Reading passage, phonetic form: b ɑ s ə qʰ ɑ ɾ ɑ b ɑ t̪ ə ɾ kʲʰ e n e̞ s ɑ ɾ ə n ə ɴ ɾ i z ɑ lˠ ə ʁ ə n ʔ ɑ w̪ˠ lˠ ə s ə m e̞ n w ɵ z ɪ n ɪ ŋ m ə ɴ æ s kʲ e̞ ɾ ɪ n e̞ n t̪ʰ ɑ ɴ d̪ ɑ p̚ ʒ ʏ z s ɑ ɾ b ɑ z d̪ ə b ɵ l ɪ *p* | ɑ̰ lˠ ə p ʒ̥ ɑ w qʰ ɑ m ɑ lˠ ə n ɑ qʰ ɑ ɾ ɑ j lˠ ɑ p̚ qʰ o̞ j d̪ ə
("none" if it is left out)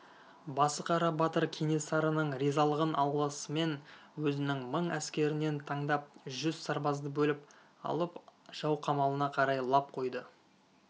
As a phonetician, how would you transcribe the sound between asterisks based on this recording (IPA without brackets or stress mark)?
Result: p